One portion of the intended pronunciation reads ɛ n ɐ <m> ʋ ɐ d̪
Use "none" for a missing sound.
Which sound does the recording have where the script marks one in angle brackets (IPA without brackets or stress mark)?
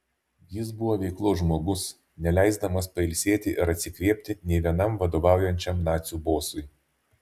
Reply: m